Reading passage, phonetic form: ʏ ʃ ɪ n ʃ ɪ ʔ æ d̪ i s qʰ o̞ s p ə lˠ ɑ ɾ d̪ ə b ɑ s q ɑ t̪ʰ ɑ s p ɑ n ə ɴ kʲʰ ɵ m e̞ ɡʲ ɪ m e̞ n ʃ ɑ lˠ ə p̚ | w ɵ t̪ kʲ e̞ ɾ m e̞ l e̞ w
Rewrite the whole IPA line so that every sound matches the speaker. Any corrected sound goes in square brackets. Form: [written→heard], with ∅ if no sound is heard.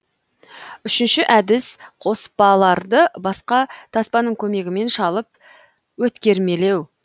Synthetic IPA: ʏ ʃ ɪ n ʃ ɪ ʔ æ d̪ [i→ɪ] s qʰ o̞ s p [ə→ɑ] lˠ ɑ ɾ d̪ ə b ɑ s q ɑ t̪ʰ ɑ s p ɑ n ə ɴ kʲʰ ɵ m e̞ ɡʲ ɪ m e̞ n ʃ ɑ lˠ ə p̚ | w ɵ t̪ kʲ e̞ ɾ m e̞ l e̞ w